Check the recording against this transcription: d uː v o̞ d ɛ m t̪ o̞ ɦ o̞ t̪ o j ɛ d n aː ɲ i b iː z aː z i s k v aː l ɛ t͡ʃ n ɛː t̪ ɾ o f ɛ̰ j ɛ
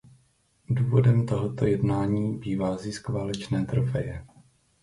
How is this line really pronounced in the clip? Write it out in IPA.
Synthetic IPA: d uː v o̞ d ɛ m t̪ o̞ ɦ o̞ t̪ o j ɛ d n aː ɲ iː b iː v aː z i s k v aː l ɛ t͡ʃ n ɛː t̪ ɾ o f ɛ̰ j ɛ